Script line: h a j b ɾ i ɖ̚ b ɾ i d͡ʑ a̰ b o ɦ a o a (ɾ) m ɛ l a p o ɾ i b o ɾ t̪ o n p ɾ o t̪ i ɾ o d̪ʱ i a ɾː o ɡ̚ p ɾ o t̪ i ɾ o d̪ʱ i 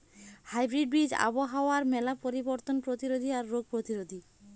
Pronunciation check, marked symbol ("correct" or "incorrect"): correct